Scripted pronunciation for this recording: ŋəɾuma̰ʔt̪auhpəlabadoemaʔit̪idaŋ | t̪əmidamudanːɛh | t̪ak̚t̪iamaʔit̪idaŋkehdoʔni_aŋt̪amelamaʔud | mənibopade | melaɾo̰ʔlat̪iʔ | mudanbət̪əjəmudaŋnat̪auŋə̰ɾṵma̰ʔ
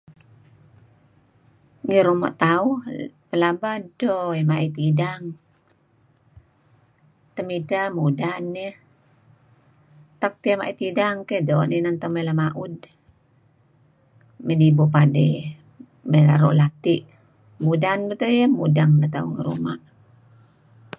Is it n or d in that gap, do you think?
n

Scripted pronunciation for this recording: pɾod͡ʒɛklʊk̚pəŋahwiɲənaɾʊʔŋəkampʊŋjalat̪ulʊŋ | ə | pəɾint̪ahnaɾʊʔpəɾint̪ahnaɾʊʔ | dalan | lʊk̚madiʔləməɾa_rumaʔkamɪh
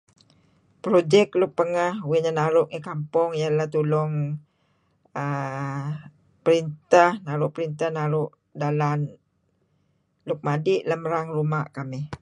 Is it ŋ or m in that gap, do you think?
ŋ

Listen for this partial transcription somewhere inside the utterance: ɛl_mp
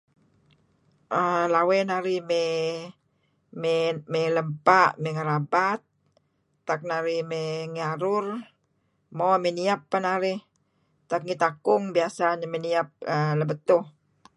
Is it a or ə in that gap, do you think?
ə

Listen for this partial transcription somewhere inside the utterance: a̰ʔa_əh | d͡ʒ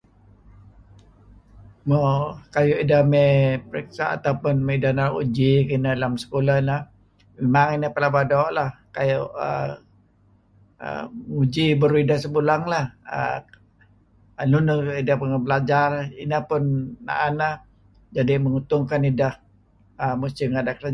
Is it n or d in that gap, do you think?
n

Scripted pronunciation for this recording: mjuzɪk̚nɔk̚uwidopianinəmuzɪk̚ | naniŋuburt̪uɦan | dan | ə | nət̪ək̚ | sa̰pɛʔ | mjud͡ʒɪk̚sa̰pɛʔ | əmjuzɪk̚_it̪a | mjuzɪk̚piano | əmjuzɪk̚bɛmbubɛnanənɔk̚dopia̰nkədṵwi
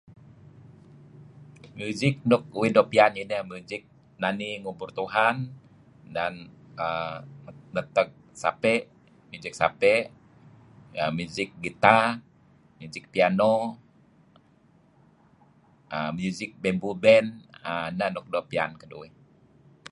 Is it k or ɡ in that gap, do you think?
ɡ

